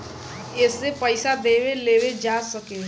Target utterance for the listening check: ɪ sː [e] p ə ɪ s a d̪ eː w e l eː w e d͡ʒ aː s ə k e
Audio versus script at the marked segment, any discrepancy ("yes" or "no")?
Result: no